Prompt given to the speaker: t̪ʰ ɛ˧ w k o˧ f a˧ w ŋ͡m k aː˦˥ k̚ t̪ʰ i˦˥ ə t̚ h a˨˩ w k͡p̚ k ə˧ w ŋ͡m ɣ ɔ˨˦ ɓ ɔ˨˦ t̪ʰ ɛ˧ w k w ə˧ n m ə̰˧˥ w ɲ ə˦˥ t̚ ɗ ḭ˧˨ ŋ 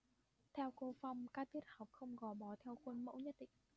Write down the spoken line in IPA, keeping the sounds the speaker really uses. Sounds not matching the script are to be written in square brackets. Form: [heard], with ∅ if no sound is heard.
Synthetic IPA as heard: t̪ʰ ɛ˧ w k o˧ f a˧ w ŋ͡m k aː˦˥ k̚ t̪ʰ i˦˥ ə t̚ h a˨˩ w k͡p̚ [x] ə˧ w ŋ͡m ɣ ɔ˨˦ ɓ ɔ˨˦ t̪ʰ ɛ˧ w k w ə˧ n m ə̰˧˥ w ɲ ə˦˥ t̚ ɗ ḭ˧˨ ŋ